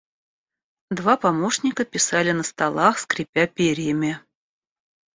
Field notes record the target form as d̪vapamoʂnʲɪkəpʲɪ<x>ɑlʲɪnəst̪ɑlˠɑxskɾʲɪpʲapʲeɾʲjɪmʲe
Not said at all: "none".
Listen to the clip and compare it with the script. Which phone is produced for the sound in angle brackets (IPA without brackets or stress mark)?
s